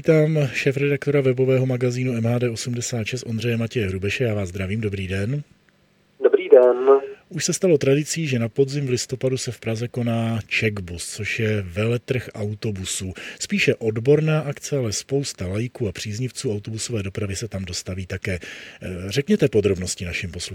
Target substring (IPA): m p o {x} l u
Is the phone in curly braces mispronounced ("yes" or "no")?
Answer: yes